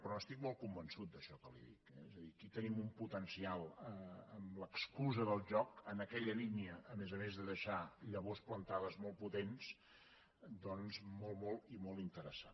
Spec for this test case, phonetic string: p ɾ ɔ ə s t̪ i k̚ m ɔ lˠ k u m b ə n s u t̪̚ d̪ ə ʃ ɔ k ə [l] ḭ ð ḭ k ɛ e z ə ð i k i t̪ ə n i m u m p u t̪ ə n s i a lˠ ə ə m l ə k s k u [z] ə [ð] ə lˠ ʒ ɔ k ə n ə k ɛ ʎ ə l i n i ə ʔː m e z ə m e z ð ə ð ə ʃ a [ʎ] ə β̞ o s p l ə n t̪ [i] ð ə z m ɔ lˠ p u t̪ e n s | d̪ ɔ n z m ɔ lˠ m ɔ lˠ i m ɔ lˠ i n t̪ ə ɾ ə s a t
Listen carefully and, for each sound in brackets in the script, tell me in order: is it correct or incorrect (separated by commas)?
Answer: correct, correct, correct, correct, incorrect